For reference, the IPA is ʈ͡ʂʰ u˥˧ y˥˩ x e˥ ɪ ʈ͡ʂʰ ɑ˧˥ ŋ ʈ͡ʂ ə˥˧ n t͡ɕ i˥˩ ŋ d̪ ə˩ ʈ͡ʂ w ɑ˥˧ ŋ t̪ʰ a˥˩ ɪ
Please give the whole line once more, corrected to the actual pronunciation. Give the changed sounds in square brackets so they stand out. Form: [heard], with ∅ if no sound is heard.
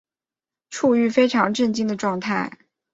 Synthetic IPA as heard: ʈ͡ʂʰ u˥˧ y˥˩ [f] e˥ ɪ ʈ͡ʂʰ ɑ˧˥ ŋ ʈ͡ʂ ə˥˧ n t͡ɕ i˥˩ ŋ d̪ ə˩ ʈ͡ʂ w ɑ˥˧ ŋ t̪ʰ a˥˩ ɪ